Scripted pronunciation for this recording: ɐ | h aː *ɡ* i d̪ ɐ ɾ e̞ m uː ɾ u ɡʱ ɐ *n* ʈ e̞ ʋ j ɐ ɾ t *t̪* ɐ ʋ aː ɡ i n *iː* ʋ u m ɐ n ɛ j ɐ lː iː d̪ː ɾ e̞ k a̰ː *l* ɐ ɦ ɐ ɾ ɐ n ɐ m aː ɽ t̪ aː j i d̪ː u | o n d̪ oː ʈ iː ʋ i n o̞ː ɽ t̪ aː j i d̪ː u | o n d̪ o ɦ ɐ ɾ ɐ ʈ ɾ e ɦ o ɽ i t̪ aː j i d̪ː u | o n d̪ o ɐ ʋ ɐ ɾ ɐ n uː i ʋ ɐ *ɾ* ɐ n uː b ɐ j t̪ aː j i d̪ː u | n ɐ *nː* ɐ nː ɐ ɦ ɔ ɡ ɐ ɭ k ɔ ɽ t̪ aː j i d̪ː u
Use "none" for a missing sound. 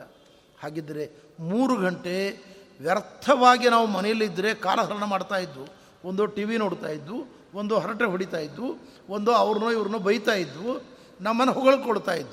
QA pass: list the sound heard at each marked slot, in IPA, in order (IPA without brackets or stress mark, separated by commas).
ɡ, ɳ, t̪ʰ, aː, l, ɾ, mː